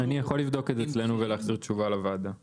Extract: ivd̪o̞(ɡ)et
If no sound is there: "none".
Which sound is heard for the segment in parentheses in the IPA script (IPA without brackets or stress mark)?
k